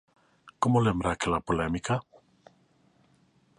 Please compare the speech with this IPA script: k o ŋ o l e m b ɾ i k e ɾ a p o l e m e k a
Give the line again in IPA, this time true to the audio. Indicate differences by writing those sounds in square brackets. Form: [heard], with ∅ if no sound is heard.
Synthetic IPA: k o [m] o l e m b ɾ [a] k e [l] a p o l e m [i] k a